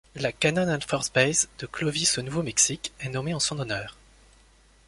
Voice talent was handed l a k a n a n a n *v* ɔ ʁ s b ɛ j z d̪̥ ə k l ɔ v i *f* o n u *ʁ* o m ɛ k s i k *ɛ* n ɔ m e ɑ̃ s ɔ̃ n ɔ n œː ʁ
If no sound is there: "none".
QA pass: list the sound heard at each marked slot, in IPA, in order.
f, s, v, ɛ

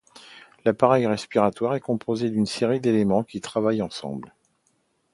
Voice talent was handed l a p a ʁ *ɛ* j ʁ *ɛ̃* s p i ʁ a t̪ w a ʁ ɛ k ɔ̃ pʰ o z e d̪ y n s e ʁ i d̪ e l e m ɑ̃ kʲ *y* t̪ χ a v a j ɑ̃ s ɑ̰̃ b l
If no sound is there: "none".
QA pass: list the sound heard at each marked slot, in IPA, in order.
ɛ, ɛ, i

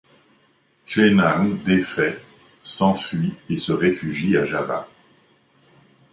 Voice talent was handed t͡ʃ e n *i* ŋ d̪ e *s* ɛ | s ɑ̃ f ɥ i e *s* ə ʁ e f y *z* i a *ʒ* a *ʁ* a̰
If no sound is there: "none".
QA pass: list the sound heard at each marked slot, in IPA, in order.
a, f, s, ʒ, ʒ, v

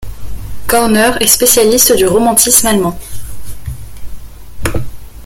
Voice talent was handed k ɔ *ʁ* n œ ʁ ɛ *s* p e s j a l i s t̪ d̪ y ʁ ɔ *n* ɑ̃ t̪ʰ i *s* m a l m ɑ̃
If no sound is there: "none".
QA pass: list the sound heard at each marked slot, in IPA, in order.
ʁ, s, m, s

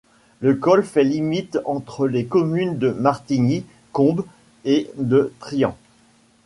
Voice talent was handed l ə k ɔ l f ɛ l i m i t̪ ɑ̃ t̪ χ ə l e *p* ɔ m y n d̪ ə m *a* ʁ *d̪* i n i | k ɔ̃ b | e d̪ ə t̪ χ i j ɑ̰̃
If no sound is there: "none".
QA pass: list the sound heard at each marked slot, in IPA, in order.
k, a, t̪

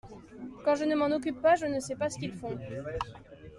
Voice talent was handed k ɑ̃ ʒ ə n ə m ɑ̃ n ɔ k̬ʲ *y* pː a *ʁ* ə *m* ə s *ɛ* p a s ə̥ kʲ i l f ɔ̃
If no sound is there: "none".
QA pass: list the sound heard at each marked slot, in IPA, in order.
y, ʒ, n, ɛ

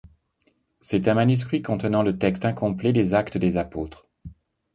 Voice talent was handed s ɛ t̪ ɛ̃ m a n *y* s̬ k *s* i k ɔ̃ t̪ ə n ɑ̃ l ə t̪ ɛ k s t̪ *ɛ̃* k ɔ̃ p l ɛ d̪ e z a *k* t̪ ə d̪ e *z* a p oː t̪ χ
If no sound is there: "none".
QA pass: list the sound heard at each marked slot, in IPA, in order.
y, χ, ɛ̃, k, z

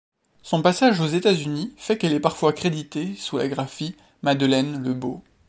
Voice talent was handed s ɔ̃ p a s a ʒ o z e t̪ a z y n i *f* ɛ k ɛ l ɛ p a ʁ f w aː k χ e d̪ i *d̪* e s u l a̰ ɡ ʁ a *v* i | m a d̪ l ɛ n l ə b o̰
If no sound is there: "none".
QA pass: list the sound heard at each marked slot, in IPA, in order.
f, t̪, f

